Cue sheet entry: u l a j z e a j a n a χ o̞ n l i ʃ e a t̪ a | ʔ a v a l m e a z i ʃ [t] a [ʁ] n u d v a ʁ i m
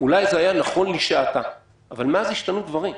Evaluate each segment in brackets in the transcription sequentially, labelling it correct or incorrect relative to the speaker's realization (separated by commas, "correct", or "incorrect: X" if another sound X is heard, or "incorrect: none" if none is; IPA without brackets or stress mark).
correct, incorrect: none